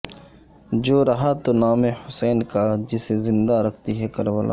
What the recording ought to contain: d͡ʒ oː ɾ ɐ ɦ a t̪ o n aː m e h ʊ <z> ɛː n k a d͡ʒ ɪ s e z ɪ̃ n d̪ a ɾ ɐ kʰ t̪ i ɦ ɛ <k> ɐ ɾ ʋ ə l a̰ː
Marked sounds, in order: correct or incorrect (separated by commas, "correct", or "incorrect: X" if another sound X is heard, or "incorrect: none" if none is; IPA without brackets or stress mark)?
incorrect: s, correct